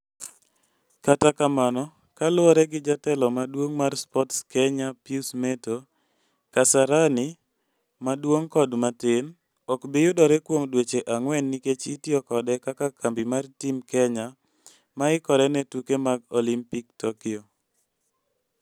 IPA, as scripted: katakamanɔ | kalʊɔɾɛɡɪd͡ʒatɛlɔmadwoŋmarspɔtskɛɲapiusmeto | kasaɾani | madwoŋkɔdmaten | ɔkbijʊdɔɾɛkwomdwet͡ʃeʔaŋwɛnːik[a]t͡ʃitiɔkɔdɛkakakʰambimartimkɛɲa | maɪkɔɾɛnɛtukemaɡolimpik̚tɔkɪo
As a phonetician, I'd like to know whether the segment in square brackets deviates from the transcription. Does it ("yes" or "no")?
yes